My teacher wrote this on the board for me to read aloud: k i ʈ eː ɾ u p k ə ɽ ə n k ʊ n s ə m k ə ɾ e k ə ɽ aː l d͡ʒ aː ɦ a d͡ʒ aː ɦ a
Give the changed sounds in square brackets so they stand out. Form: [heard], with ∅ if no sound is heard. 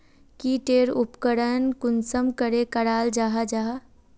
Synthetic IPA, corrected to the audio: k i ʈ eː ɾ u p k ə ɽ ə n k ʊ n s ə m k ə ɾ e k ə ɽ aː l d͡ʒ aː ɦ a d͡ʒ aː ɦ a